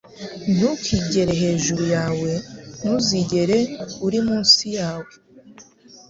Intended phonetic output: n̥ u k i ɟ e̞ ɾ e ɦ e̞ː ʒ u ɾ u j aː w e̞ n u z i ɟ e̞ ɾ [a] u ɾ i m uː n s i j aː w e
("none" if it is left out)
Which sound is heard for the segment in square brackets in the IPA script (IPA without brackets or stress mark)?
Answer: e